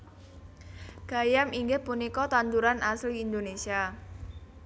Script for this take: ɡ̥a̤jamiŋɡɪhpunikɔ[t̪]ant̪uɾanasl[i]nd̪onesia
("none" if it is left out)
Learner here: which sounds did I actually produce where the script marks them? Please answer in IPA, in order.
t̪, iː

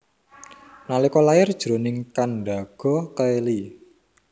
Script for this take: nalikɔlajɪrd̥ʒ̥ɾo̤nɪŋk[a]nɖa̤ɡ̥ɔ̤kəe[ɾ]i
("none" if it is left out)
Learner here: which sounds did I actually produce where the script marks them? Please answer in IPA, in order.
a, l

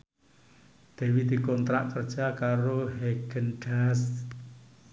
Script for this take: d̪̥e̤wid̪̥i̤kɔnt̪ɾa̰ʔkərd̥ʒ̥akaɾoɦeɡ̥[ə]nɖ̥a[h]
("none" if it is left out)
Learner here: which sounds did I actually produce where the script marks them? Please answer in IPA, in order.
ə, s

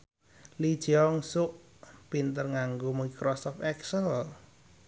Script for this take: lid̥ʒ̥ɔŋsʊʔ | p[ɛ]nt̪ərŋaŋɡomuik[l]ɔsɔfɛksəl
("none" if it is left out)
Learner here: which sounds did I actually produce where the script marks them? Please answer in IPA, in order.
i, ɾ

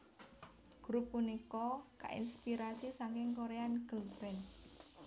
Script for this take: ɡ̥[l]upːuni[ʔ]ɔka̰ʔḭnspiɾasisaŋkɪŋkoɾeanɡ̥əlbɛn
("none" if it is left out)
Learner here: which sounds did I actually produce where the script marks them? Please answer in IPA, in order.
ɾ, k

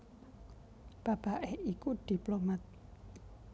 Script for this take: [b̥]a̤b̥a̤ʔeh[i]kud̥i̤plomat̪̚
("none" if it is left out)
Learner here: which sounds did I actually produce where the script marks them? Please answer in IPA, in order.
b̥, i

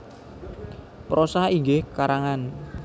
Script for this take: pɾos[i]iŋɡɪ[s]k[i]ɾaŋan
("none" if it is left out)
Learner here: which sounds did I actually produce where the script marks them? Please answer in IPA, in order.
a, h, a

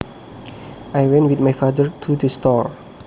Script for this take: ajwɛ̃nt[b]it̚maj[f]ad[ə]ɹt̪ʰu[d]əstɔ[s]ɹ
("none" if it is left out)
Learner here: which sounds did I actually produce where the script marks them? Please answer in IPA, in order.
w, f, ə, d, none

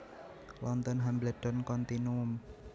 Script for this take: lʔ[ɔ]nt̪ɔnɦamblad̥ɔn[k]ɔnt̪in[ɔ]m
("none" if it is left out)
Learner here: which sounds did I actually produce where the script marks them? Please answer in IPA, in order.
ɔ, k, u

